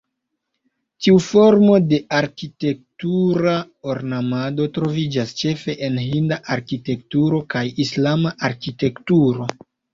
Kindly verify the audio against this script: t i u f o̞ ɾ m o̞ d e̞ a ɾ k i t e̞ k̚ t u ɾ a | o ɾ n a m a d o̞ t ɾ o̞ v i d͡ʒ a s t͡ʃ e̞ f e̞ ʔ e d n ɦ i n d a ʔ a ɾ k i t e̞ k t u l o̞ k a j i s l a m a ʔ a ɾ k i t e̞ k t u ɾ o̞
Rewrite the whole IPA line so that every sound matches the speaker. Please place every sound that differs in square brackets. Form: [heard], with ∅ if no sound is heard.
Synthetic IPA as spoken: t i u f o̞ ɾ m o̞ d e̞ a ɾ k i t e̞ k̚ t u ɾ a | o ɾ n a m a d o̞ t ɾ o̞ v i d͡ʒ a s t͡ʃ e̞ f e̞ ʔ e [∅] n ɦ i n d a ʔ a ɾ k i t e̞ k t u [ɾ] o̞ k a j i s l a m a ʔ a ɾ k i t e̞ k t u ɾ o̞